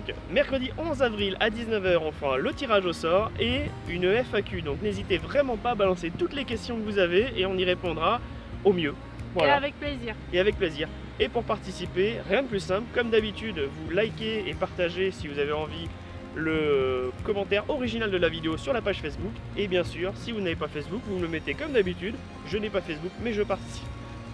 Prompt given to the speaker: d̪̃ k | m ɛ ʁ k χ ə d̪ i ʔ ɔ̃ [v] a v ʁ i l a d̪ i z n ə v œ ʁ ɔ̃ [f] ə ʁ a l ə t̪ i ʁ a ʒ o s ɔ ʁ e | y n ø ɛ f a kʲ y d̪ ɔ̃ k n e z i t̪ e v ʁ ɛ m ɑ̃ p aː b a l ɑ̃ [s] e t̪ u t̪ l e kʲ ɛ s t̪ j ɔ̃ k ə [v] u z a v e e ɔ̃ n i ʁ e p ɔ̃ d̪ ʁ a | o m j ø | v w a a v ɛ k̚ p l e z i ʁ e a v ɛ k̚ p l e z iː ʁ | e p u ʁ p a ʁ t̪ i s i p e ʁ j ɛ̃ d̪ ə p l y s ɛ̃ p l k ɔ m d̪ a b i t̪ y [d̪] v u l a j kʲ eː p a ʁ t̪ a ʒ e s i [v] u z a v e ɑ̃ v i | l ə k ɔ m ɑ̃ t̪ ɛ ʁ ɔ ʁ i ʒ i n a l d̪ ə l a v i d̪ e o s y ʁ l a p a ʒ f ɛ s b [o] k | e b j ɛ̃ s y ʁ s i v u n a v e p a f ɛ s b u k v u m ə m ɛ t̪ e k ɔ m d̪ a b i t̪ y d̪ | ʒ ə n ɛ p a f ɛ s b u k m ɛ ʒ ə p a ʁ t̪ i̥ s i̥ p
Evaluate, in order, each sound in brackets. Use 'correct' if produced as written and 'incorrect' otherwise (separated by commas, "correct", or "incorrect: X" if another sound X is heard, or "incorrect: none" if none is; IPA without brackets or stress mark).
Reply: incorrect: z, correct, correct, correct, correct, correct, incorrect: u